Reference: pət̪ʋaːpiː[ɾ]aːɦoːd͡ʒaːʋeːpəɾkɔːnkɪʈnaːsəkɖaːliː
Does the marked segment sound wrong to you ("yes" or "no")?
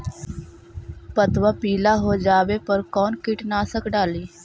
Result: yes